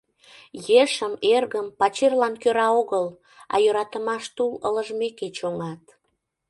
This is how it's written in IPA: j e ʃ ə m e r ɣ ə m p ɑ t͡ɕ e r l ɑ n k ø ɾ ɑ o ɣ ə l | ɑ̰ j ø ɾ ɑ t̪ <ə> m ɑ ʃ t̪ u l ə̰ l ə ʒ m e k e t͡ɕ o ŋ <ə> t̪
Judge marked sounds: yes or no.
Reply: yes, no

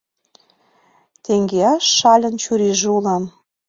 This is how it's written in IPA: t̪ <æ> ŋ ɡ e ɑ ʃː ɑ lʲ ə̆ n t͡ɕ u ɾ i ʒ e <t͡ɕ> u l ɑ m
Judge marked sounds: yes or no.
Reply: no, no

